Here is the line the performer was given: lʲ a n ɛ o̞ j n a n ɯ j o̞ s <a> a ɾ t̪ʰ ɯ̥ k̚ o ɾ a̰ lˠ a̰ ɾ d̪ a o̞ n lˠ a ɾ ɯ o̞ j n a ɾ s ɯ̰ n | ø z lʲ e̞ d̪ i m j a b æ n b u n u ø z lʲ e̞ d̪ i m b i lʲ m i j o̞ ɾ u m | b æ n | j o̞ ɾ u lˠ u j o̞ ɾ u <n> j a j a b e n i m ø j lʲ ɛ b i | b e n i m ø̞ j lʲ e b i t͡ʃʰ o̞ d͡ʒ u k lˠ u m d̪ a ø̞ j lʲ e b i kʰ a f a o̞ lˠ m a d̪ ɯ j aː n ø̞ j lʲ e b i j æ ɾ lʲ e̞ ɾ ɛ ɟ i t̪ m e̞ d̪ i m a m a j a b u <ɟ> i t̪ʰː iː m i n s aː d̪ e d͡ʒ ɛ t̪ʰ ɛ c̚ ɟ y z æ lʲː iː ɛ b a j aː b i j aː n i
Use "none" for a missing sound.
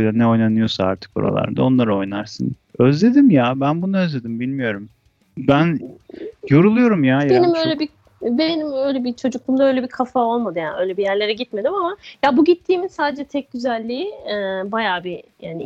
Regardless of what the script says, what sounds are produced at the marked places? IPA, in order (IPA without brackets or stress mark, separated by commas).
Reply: a, m, ɟ